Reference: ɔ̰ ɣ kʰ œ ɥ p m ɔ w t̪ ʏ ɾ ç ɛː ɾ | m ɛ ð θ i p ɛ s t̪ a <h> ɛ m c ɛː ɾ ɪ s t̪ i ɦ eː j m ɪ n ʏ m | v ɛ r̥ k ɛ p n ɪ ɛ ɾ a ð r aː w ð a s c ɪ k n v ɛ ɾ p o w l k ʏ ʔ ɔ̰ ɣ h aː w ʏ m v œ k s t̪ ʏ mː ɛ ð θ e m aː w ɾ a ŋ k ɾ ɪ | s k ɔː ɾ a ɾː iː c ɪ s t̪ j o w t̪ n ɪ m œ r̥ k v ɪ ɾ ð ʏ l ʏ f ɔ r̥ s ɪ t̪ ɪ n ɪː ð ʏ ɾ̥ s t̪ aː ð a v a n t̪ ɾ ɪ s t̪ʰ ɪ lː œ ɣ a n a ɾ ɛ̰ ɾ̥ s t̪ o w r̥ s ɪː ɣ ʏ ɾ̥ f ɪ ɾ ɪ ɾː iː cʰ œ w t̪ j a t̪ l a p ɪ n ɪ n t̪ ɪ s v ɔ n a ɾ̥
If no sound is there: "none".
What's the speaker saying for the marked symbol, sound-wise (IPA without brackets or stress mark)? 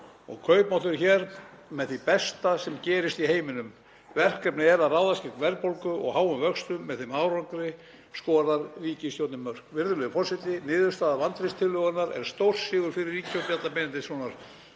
s